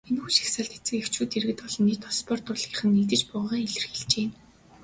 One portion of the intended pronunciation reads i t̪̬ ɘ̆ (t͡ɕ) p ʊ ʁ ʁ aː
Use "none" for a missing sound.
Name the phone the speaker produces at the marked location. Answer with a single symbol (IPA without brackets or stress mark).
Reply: t͡ɕ